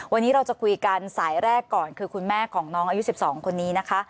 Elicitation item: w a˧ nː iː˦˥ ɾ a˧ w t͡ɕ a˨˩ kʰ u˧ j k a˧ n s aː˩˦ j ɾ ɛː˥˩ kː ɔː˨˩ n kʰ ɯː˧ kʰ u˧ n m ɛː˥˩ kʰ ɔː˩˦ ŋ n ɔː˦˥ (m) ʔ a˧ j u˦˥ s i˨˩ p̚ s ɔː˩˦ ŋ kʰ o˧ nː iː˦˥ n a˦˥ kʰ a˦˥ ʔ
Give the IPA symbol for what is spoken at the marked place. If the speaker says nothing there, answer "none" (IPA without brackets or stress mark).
ŋ